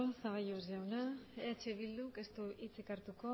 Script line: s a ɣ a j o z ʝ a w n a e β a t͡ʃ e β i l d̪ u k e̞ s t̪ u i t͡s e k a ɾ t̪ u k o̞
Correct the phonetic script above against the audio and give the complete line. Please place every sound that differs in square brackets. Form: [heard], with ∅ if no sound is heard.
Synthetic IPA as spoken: s a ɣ a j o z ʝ a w n a e [∅] a t͡ʃ e β i l d̪ u k e̞ s t̪ u i t͡s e k a ɾ t̪ u k o̞

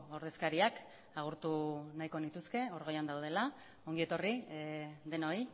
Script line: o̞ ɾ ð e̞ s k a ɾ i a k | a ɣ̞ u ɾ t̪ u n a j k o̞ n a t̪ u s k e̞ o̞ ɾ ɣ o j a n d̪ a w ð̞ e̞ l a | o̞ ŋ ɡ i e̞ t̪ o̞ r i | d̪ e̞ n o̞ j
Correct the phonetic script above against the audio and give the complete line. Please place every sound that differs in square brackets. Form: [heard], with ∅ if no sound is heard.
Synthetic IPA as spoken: o̞ ɾ ð e̞ s k a ɾ i a k | a ɣ̞ u ɾ t̪ u n a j k o̞ n [i] t̪ u s k e̞ o̞ ɾ ɣ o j a n d̪ a w ð̞ e̞ l a | o̞ ŋ ɡ i e̞ t̪ o̞ r i | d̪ e̞ n o̞ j

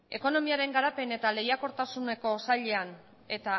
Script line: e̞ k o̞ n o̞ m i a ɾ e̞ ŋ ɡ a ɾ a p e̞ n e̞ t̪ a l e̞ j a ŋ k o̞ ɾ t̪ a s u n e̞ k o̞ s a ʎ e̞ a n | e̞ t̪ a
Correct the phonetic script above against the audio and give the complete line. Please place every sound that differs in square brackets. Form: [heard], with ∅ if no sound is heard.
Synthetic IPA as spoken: e̞ k o̞ n o̞ m i a ɾ e̞ ŋ ɡ a ɾ a p e̞ n e̞ t̪ a l e̞ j a [∅] k o̞ ɾ t̪ a s u n e̞ k o̞ s a ʎ e̞ a n | e̞ t̪ a

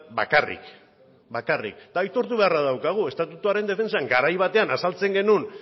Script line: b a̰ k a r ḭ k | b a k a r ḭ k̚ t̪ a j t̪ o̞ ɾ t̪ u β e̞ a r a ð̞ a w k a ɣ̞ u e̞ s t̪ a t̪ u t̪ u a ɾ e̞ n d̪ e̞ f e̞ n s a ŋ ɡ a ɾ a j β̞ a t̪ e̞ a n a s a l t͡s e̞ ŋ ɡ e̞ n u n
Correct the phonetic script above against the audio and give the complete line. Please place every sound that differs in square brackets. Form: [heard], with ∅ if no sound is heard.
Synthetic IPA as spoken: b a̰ k a r ḭ k | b a k a r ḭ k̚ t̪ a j t̪ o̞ ɾ t̪ u β e̞ a r a ð̞ a w k a ɣ̞ u e̞ s t̪ a t̪ u t̪ u a ɾ e̞ n d̪ e̞ f e̞ n s a ŋ ɡ a ɾ a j β̞ a t̪ e̞ a n a s a l t͡s e̞ ŋ ɡ e̞ n u n

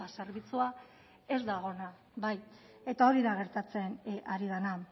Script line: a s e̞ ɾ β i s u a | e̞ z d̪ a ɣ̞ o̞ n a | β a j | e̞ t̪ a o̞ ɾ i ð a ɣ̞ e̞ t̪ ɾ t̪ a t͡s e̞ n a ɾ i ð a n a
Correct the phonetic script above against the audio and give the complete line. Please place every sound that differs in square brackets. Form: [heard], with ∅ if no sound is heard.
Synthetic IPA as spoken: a s e̞ ɾ β i [t͡s] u a | e̞ z d̪ a ɣ̞ o̞ n a | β a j | e̞ t̪ a o̞ ɾ i ð a ɣ̞ e̞ [∅] ɾ t̪ a t͡s e̞ n a ɾ i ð a n a

